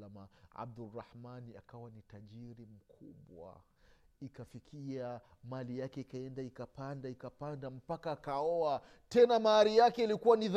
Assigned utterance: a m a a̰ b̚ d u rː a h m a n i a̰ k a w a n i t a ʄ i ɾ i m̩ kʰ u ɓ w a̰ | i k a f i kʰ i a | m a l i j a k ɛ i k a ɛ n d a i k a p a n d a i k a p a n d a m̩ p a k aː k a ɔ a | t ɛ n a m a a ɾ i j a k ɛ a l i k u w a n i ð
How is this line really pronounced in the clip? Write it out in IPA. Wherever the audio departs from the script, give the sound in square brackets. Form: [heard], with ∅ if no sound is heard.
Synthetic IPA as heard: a m a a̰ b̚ d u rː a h m a n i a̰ k a w a n i t a ʄ i ɾ i m̩ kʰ u ɓ w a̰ | i k a f i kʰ i a | m a l i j a k ɛ i k a ɛ n d a i k a p a n d a i k a p a n d a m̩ p a k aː k a ɔ a | t ɛ n a m a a ɾ i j a k ɛ [i] l i k u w a n i ð